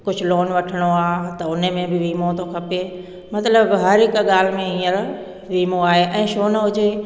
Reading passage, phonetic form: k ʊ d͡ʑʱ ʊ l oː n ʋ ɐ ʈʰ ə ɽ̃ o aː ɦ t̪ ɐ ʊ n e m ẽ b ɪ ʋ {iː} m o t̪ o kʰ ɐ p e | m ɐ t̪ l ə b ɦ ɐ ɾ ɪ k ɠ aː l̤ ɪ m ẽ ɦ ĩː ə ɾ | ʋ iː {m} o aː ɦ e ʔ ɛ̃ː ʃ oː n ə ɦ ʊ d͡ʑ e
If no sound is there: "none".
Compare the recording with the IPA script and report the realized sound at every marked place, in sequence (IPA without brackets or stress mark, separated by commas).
iː, m